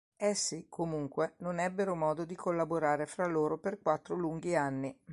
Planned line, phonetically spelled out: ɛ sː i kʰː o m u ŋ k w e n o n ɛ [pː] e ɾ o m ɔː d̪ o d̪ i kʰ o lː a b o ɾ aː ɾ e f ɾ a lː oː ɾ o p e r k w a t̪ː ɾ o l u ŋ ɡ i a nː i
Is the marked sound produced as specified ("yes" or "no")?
no